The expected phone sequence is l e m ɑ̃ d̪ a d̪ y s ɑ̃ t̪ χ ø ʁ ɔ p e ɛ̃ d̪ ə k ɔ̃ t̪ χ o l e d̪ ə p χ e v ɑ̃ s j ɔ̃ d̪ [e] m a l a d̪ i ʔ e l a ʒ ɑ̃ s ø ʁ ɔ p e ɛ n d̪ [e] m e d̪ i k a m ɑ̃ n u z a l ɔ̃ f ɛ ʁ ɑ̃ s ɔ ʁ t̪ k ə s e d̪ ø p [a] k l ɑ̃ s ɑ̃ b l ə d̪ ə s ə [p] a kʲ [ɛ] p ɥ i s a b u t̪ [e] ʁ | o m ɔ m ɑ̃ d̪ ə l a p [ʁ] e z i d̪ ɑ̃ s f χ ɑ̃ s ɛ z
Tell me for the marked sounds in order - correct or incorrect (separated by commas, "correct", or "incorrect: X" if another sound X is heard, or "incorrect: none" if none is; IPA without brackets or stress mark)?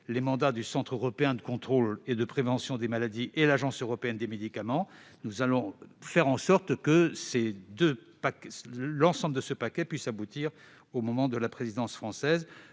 correct, correct, correct, correct, correct, incorrect: i, incorrect: χ